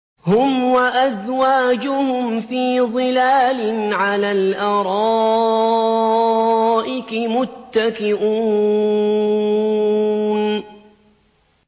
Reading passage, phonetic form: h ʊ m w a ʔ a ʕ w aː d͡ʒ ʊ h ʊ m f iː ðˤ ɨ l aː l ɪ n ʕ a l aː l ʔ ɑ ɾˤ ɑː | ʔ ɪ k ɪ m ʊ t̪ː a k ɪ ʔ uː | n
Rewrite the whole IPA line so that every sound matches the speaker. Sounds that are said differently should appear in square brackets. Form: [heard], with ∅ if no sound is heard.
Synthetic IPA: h ʊ m w a ʔ a [z] w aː d͡ʒ ʊ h ʊ m f iː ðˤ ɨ l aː l ɪ n ʕ a l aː l ʔ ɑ ɾˤ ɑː | ʔ ɪ k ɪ m ʊ t̪ː a k ɪ ʔ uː | n